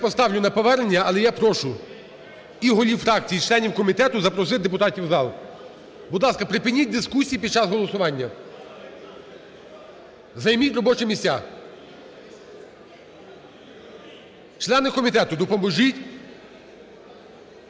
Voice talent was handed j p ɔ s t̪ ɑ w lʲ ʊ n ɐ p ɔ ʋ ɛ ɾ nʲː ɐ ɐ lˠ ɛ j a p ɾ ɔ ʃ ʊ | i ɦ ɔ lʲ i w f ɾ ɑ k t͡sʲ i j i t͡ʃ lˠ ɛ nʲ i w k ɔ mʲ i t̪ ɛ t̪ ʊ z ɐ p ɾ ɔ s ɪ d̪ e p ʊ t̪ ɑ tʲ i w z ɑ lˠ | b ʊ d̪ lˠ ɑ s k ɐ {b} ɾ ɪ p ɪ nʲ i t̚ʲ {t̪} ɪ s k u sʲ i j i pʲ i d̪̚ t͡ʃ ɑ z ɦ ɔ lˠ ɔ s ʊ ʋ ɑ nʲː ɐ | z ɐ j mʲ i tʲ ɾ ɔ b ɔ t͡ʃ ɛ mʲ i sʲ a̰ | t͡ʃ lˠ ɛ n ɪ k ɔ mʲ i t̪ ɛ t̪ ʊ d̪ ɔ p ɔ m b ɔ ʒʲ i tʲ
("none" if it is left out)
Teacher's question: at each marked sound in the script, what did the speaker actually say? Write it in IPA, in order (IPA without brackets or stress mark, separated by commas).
p, d̪